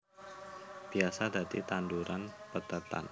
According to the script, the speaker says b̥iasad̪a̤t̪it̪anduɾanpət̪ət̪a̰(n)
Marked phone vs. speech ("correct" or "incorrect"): correct